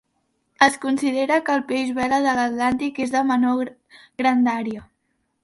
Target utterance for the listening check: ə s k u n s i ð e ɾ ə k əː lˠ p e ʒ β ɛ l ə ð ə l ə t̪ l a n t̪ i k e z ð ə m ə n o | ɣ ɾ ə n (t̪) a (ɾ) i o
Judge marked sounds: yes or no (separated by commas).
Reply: no, yes